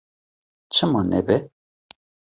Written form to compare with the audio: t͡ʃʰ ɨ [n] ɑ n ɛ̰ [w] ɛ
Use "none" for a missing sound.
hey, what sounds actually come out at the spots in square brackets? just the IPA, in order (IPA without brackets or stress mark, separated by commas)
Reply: m, b